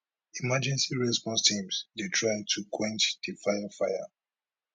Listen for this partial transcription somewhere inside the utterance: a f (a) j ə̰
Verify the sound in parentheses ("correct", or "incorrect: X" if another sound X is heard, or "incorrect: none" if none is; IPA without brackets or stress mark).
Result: correct